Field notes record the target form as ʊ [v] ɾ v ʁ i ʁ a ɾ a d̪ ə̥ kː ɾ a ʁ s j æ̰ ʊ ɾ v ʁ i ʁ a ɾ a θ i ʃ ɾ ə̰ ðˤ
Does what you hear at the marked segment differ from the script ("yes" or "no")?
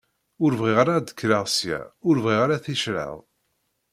yes